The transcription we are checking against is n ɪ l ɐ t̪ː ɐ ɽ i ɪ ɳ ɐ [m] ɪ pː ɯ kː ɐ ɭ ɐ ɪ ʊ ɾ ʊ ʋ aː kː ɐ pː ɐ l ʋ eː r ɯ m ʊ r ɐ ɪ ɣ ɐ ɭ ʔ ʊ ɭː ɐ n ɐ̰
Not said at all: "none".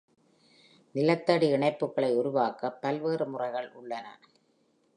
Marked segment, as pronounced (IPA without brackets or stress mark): none